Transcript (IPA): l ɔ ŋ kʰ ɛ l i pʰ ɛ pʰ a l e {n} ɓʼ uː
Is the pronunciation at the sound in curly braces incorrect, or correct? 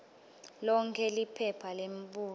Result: incorrect: m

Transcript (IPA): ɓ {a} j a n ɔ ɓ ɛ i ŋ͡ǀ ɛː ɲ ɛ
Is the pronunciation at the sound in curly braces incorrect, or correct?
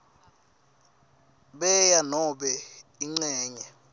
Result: incorrect: ɛ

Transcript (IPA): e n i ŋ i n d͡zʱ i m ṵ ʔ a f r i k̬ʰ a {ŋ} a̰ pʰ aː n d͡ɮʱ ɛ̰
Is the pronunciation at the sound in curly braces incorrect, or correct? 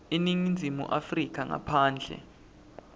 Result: correct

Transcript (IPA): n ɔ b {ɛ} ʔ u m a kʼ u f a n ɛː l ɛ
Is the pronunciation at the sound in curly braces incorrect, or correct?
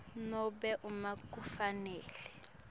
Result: correct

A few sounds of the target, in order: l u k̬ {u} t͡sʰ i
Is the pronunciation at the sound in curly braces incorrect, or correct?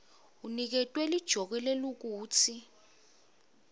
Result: incorrect: uː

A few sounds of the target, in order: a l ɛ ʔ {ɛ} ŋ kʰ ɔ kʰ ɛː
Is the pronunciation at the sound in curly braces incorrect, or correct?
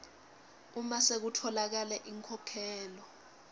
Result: incorrect: i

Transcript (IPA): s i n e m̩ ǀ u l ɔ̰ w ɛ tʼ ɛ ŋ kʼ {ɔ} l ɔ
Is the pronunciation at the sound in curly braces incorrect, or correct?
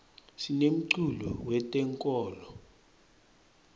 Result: incorrect: ɔː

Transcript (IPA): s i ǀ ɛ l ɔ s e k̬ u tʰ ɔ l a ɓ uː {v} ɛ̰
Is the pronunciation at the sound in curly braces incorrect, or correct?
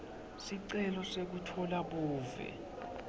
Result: correct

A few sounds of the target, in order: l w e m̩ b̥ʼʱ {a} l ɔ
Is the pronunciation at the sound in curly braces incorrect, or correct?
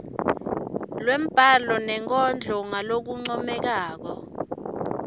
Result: correct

